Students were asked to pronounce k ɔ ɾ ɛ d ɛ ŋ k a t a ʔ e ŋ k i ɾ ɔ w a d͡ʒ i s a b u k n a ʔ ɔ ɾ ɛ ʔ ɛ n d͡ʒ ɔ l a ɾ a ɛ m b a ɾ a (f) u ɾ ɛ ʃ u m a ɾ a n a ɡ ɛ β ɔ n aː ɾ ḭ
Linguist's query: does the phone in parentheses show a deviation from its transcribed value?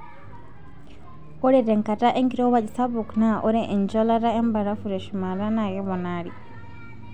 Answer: no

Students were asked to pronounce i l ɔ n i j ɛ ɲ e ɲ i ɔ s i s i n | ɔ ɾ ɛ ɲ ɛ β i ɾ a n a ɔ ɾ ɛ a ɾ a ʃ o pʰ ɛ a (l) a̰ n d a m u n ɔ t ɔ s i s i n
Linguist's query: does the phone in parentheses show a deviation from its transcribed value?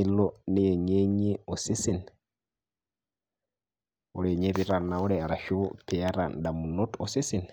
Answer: yes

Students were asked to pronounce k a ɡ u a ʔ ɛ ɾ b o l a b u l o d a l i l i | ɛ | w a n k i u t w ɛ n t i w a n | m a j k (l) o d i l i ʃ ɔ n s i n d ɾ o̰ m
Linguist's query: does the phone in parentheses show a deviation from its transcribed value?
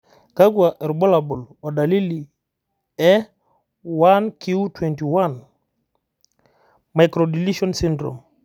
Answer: yes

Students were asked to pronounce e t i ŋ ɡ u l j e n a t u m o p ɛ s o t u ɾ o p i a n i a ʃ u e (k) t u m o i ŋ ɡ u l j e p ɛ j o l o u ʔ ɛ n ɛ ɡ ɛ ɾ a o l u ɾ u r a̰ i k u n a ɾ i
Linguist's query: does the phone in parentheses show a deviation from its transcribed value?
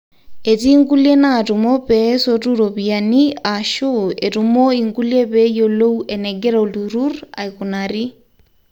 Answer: yes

